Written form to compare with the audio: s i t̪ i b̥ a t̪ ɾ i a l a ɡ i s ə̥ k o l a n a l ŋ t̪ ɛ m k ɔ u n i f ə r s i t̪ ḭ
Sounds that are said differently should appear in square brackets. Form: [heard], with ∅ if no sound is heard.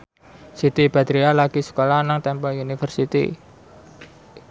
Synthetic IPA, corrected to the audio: s i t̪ i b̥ a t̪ ɾ i a l a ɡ i s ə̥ k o l a n a [∅] ŋ t̪ ɛ m [p] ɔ u n i f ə r s i t̪ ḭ